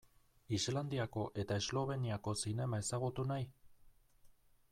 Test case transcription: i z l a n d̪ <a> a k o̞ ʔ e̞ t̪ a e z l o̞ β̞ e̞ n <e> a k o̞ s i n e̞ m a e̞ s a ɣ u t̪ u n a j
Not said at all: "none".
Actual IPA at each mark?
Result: i, i

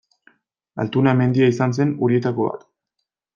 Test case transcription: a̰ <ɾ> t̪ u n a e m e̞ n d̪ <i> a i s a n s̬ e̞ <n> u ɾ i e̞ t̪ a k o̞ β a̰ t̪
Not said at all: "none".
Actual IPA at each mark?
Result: l, i, n

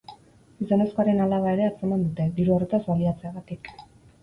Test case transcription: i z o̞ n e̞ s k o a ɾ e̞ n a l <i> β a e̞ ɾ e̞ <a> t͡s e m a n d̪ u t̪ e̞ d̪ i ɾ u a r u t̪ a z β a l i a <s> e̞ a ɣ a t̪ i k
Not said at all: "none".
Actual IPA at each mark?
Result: a, a, t͡s

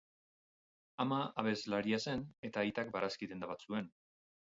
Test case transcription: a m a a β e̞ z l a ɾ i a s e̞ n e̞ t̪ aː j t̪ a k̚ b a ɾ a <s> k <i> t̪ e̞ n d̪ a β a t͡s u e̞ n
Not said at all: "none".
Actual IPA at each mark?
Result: s, i

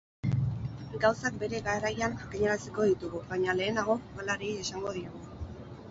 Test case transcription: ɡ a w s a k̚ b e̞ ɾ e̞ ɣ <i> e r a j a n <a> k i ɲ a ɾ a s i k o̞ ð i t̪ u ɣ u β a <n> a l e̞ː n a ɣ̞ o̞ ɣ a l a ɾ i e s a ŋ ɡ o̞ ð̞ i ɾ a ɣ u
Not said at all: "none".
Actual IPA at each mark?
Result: a, a, ɲ

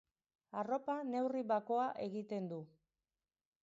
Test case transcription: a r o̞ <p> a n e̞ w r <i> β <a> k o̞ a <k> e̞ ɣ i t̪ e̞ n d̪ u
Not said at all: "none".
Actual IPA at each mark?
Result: p, i, a, ʔ

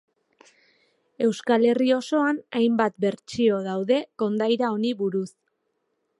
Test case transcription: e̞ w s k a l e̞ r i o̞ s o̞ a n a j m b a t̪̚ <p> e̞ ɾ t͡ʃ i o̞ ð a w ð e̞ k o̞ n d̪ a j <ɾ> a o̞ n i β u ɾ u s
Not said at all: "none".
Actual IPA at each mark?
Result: b, ɾ

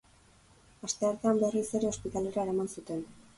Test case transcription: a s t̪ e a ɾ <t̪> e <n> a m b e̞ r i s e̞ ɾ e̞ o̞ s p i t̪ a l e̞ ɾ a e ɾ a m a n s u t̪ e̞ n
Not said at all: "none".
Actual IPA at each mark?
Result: t̪, none

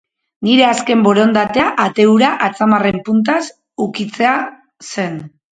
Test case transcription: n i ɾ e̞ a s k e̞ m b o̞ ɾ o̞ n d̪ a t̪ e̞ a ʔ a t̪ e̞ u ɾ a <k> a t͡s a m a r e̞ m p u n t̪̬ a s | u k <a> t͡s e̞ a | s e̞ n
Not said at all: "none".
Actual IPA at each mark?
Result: ʔ, i

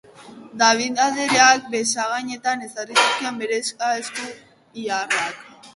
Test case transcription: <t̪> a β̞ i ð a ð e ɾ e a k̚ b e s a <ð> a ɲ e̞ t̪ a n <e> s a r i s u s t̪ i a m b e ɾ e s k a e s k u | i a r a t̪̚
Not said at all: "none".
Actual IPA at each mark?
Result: d̪, ɣ, e

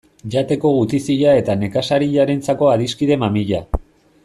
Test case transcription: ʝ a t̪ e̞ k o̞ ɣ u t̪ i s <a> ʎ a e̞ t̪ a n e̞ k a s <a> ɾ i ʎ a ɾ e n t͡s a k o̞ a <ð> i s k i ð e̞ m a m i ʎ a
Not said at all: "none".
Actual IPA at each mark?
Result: i, a, ð

